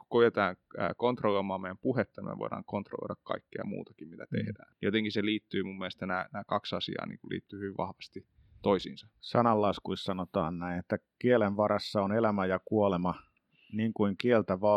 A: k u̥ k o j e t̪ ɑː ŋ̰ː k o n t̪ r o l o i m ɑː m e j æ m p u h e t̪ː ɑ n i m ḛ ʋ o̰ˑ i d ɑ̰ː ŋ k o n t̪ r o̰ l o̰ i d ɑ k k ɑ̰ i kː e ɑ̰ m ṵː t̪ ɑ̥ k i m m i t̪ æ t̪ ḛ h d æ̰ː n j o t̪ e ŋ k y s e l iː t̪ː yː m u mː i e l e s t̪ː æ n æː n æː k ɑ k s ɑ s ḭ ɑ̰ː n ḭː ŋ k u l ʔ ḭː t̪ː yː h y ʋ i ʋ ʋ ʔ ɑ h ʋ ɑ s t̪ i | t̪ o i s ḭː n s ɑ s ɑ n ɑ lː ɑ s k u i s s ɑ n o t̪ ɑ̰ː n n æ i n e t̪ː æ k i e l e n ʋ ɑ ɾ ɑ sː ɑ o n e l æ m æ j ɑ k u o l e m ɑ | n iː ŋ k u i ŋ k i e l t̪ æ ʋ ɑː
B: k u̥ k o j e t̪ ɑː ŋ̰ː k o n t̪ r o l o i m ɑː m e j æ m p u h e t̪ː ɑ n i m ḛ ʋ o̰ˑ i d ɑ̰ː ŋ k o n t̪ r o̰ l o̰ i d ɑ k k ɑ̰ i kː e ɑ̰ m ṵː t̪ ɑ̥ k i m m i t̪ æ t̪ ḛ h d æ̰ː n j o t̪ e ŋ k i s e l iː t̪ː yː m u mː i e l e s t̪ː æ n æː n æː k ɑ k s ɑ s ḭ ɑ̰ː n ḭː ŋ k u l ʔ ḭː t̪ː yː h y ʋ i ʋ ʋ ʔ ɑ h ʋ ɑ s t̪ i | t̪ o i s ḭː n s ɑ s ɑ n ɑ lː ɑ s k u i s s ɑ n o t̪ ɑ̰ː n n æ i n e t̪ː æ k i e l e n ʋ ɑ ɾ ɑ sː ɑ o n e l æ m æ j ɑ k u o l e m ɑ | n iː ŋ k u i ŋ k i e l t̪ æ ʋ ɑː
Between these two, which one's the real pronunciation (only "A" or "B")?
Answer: B